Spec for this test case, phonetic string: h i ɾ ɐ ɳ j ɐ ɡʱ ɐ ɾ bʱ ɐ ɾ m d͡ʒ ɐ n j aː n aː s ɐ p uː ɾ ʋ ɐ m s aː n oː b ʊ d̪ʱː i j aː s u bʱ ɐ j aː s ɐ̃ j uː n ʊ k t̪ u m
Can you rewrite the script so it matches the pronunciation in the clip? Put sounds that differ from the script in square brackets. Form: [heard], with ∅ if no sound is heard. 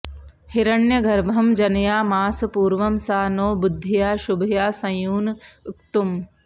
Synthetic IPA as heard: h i ɾ ɐ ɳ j ɐ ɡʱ ɐ ɾ bʱ ɐ [∅] m d͡ʒ ɐ n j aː [m] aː s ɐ p uː ɾ ʋ ɐ m s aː n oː b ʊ d̪ʱː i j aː [ʃ] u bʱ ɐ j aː s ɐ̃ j uː n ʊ k t̪ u m